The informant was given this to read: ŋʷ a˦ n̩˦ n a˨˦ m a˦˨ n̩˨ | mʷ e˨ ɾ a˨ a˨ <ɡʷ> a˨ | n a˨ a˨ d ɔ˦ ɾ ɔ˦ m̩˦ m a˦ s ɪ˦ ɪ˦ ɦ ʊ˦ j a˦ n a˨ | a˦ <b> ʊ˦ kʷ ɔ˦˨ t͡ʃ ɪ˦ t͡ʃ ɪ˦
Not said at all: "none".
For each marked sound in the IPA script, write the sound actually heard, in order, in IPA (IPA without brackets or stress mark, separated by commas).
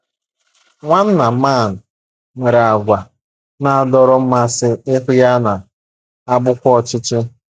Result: ɡʷ, b